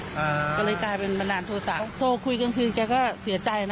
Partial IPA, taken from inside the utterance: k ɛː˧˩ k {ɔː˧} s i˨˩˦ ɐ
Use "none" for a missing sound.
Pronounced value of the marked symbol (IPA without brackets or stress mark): ɔː˥˩